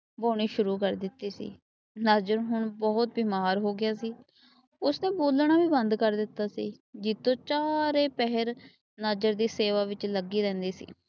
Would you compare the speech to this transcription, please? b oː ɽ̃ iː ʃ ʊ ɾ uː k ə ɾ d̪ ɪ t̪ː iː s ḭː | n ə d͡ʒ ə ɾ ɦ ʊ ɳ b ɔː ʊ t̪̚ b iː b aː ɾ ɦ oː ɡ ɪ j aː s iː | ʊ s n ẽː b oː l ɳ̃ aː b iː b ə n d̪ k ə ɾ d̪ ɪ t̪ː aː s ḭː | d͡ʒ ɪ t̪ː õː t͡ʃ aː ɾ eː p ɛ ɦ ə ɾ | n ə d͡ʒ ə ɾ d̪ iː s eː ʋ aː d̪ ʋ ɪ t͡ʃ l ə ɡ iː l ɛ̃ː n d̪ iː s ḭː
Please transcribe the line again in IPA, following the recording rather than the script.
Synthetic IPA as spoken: b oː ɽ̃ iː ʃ ʊ ɾ uː k ə ɾ d̪ ɪ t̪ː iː s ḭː | n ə d͡ʒ ə ɾ ɦ ʊ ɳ b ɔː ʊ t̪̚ b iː m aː ɾ ɦ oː ɡ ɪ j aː s iː | ʊ s n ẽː b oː l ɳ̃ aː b iː b ə n d̪ k ə ɾ d̪ ɪ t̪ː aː s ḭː | d͡ʒ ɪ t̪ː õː t͡ʃ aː ɾ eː p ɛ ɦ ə ɾ | n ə d͡ʒ ə ɾ d̪ iː s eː ʋ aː ʋ ɪ t͡ʃ l ə ɡ iː ɾ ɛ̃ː n d̪ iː s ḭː